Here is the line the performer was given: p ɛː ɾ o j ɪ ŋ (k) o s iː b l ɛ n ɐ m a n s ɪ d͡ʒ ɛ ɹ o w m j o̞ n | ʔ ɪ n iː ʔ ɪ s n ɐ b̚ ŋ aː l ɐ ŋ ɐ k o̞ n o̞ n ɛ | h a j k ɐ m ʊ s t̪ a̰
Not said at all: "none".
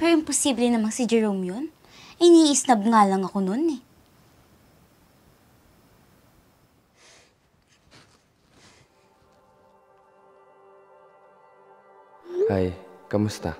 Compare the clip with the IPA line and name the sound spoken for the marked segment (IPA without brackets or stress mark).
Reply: p